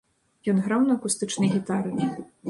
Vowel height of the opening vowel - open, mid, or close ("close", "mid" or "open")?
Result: mid